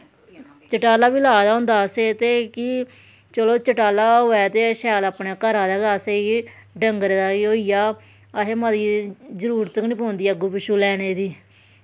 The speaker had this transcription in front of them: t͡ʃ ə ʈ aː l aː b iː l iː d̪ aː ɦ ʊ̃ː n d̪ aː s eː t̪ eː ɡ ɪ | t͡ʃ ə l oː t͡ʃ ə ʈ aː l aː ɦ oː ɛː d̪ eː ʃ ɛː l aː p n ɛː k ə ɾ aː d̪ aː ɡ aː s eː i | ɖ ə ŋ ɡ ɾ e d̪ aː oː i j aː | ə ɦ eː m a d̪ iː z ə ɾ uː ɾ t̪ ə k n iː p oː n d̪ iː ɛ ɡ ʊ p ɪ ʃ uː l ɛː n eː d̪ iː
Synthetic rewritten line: t͡ʃ ə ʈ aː l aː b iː l aː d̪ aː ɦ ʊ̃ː n d̪ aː s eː t̪ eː k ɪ | t͡ʃ ə l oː t͡ʃ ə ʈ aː l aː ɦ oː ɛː t̪ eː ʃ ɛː l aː p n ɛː k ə ɾ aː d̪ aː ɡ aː s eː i | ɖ ə ŋ ɡ ɾ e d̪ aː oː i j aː | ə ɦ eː m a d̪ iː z ə ɾ uː ɾ t̪ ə k n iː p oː n d̪ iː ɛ ɡ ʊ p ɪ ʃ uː l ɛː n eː d̪ iː